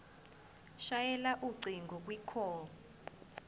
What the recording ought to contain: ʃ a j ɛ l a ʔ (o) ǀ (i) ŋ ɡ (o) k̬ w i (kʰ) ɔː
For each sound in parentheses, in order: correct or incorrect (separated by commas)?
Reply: incorrect, correct, incorrect, correct